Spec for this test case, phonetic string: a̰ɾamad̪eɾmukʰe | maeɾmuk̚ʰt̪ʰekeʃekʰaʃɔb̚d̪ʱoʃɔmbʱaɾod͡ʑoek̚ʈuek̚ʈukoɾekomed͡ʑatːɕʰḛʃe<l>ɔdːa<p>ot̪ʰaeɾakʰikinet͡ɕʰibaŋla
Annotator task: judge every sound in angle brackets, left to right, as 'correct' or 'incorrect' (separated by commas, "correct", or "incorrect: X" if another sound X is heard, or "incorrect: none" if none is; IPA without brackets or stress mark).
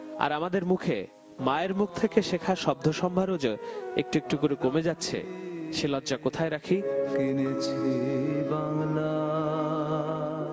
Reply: correct, incorrect: k